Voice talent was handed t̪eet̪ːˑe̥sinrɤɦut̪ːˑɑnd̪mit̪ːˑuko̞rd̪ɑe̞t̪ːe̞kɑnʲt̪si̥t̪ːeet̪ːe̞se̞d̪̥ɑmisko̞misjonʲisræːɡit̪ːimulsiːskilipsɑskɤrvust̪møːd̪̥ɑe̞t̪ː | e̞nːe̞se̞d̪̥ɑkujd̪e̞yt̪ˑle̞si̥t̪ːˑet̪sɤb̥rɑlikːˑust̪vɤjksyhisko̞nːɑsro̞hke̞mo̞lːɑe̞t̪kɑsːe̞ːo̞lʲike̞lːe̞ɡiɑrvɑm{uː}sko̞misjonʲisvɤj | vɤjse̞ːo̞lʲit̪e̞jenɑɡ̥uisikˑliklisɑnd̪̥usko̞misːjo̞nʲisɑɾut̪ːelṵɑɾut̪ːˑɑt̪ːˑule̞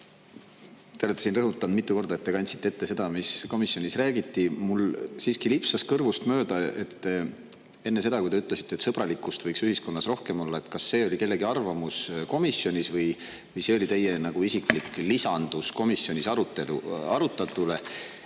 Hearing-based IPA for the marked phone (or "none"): u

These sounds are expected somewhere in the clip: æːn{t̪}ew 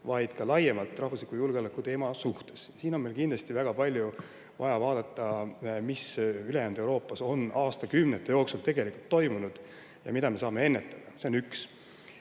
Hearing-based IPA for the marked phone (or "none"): d̪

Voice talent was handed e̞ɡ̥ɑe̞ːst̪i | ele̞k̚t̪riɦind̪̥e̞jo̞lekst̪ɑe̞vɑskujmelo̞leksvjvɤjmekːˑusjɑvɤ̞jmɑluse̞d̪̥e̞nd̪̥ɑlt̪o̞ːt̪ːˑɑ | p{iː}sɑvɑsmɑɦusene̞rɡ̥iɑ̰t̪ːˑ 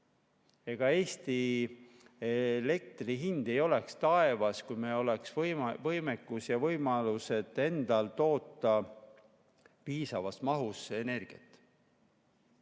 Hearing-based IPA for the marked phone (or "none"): iː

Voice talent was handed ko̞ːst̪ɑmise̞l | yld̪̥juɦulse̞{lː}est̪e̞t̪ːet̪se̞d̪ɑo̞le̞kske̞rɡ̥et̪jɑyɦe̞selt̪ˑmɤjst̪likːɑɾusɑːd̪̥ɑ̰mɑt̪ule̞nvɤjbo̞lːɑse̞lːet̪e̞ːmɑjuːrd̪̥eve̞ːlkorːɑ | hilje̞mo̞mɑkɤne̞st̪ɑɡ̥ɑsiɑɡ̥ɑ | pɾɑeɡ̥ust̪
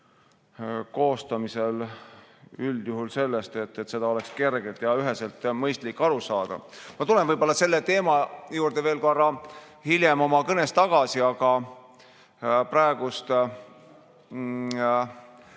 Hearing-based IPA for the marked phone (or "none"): lː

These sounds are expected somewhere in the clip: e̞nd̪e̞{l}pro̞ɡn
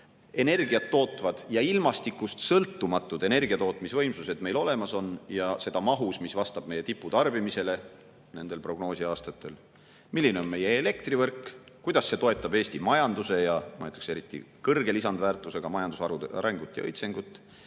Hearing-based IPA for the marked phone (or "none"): l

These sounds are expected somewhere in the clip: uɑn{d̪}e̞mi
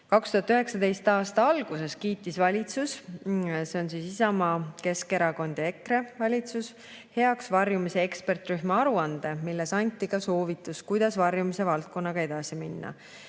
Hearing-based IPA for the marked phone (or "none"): d̪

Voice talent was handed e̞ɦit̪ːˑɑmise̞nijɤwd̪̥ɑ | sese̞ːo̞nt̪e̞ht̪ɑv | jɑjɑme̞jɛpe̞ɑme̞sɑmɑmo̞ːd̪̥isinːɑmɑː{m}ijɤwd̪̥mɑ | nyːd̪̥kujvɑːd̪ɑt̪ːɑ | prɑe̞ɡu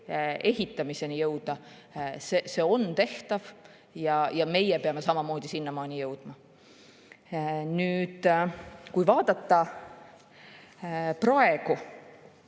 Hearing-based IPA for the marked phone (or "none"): n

